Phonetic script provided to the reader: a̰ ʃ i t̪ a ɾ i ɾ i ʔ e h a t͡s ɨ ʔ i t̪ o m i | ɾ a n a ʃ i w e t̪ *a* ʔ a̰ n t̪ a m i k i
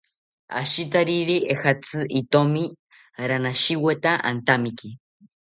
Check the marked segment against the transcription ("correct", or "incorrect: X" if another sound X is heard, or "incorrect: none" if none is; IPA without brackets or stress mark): correct